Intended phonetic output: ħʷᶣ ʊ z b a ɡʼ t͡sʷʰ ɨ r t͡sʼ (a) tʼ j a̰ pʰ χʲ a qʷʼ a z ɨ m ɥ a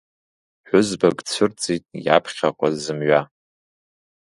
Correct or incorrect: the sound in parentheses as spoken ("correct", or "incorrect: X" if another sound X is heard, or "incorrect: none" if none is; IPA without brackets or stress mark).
incorrect: i